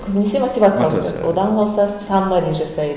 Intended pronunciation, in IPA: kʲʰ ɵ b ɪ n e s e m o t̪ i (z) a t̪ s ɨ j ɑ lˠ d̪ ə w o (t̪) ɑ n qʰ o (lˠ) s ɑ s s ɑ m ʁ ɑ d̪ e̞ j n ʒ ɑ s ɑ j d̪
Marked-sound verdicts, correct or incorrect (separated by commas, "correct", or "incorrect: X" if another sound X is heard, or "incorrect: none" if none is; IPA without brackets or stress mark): incorrect: v, incorrect: d̪, correct